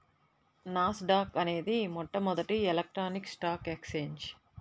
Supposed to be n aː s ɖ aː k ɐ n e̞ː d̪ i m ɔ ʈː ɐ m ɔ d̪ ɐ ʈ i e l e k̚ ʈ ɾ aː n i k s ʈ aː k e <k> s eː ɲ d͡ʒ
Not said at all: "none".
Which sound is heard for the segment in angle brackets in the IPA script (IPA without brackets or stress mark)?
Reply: k